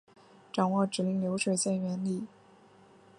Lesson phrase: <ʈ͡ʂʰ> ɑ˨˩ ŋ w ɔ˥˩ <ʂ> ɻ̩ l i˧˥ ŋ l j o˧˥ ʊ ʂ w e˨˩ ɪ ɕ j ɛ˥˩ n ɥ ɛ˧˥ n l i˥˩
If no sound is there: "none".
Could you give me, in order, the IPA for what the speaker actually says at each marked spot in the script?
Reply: ʈ͡ʂ, ʈ͡ʂ

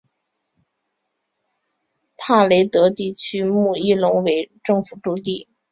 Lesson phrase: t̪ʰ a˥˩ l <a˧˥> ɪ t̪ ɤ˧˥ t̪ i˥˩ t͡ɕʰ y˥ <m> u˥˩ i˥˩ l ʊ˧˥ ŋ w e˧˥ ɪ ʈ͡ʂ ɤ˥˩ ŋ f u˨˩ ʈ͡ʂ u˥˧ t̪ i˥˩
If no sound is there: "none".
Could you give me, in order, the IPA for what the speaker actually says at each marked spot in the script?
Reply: e˧˥, m

